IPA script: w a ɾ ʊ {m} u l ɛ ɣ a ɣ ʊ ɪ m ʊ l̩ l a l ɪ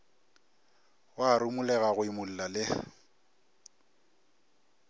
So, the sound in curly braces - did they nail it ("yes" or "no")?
yes